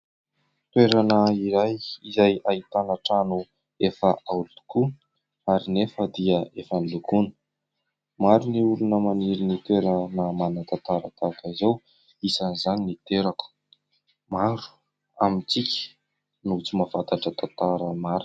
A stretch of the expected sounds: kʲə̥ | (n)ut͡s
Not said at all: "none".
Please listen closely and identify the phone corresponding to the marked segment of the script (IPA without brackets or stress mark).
n